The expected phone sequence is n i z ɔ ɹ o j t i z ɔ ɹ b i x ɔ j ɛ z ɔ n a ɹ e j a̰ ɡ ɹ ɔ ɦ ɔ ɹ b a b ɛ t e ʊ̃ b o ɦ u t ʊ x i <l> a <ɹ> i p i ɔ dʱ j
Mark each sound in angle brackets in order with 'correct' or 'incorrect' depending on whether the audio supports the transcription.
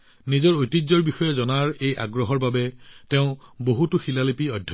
correct, incorrect: l

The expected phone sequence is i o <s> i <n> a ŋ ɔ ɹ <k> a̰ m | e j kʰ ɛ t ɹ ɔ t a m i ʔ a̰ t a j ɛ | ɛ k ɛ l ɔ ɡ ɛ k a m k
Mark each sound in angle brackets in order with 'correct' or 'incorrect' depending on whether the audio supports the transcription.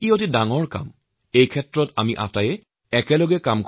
incorrect: t, incorrect: d, correct

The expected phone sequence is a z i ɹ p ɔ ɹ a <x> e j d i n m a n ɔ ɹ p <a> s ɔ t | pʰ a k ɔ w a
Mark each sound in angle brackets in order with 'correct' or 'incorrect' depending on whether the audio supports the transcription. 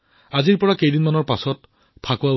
incorrect: k, correct

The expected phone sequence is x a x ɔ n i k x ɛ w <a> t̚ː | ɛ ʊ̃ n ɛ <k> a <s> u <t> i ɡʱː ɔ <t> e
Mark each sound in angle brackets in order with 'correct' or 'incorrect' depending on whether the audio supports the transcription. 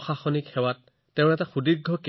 correct, incorrect: t, incorrect: x, incorrect: d, incorrect: k

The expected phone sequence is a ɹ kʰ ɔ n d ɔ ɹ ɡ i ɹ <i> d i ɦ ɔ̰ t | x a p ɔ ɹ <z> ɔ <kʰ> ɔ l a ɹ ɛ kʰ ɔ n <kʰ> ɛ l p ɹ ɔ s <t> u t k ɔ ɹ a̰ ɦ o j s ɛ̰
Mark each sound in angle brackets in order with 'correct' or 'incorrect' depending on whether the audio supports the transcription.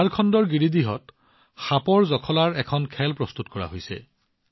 correct, correct, correct, correct, correct

